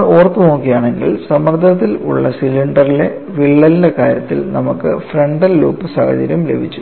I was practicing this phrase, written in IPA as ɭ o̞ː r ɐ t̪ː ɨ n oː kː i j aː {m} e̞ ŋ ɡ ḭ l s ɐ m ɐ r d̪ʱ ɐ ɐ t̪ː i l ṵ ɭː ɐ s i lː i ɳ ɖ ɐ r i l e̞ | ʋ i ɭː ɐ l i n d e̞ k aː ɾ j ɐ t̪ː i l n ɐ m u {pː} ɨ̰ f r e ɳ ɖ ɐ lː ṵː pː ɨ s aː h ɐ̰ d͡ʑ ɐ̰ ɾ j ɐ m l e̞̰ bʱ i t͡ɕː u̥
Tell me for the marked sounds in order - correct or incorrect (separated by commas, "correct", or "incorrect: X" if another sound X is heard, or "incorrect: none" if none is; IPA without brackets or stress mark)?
incorrect: ɳ, incorrect: kː